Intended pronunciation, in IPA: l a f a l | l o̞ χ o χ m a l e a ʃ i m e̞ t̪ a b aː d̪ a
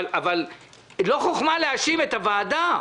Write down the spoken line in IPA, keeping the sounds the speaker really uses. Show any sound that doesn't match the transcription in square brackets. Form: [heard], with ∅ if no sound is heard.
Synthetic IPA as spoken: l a [v] a l | l o̞ χ o χ m a l e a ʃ i m e̞ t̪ a [v] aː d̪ a